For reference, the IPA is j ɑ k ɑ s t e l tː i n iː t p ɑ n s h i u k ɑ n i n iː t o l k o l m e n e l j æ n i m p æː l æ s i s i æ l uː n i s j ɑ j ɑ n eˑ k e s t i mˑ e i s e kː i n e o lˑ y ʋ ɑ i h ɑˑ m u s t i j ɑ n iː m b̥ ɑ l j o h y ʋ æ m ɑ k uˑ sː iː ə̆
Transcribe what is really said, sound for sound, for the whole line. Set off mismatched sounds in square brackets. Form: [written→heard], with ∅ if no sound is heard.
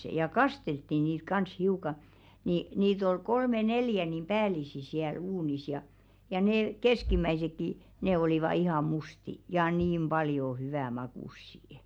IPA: j ɑ k ɑ s t e l tː i n iː t [p→k] ɑ n s h i u k ɑ n i n iː t o l k o l m e n e l j æ n i m p æː l [æ→i] s i s i æ l uː n i s j ɑ j ɑ n eˑ k e s [t→k] i mˑ [e→æ] i s e kː i n e o lˑ [y→i] ʋ ɑ i h ɑˑ m u s t i j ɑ n iː m b̥ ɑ l j o h y ʋ æ m ɑ k uˑ sː [iː→i] ə̆